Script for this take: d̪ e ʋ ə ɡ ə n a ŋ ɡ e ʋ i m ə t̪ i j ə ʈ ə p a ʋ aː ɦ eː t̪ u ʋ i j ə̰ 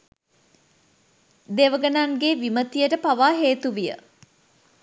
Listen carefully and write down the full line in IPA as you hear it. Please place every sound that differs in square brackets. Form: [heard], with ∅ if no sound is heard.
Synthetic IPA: d̪ e ʋ ə ɡ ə n a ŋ ɡ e ʋ i m ə t̪ i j ə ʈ ə p a ʋ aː ɦ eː t̪ u ʋ i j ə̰